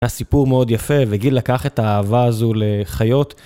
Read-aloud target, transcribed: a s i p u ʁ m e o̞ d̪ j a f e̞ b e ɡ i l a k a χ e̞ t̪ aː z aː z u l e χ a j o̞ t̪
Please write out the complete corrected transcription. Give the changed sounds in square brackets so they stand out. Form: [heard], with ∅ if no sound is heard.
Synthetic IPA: a s i p u ʁ m e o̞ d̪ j a f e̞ [v] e ɡ i l a k a χ e̞ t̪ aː [v] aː z u l e χ a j o̞ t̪